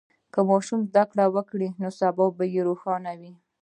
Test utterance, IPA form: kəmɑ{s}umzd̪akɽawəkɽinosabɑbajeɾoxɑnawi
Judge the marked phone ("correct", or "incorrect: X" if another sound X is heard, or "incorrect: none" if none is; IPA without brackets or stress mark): incorrect: ʃ